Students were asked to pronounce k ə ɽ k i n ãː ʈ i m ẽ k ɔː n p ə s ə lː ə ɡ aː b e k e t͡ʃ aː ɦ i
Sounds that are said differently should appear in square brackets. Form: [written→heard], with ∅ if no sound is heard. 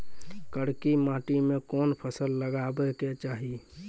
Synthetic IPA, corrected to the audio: k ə ɽ k i [n→m] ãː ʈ i m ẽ k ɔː n [p→pʰ] ə s ə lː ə ɡ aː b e k e t͡ʃ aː ɦ i

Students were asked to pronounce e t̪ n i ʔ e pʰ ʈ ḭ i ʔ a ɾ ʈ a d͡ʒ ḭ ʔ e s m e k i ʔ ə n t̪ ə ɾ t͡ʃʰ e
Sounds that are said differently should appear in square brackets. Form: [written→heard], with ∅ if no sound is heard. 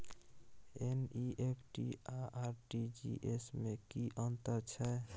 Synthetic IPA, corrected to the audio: e [t̪→∅] n i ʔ e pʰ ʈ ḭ [i→a] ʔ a ɾ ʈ [a→i] d͡ʒ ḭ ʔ e s m e k i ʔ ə n t̪ ə ɾ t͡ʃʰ [e→ɛ]

